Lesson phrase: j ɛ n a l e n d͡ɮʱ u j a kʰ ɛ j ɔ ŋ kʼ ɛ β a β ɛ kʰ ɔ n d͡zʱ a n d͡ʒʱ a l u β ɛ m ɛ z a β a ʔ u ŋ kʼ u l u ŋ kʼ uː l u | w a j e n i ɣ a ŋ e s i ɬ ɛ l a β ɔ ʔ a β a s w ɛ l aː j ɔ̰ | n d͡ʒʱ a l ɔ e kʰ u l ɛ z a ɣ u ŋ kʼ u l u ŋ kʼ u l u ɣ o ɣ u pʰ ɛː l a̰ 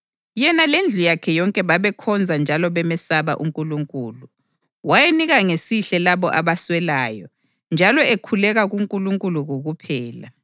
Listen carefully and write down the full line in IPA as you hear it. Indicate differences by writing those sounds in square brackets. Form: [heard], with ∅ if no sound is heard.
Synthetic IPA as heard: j ɛ n a l e n d͡ɮʱ u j a kʰ ɛ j ɔ ŋ kʼ ɛ β a β ɛ kʰ ɔ n d͡zʱ a n d͡ʒʱ a l [ɔ] β ɛ m ɛ [s] a β a ʔ u ŋ kʼ u l u ŋ kʼ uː l u | w a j e n i ɣ a ŋ e s i ɬ ɛ l a β ɔ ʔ a β a s w ɛ l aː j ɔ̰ | n d͡ʒʱ a l ɔ e kʰ u l ɛ [ɣ] a ɣ u ŋ kʼ u l u ŋ kʼ u l u ɣ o ɣ u pʰ ɛː l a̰